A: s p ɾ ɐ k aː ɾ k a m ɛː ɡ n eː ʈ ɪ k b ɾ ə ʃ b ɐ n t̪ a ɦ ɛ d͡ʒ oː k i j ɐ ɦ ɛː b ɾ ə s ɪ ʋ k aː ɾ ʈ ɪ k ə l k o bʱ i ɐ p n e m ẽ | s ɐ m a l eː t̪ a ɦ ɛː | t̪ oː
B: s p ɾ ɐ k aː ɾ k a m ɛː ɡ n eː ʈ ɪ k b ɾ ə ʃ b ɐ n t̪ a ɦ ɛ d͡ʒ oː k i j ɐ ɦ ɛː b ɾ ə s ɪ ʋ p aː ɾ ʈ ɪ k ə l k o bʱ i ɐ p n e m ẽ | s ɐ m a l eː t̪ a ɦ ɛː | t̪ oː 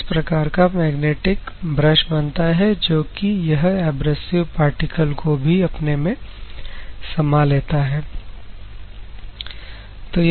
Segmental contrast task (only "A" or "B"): B